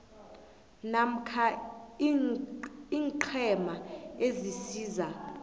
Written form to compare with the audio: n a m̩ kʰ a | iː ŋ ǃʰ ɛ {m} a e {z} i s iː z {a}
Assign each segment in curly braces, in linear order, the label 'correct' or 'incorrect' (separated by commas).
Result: correct, correct, correct